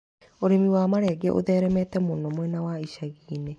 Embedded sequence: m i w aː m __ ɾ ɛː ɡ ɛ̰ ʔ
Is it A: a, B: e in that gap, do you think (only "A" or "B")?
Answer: A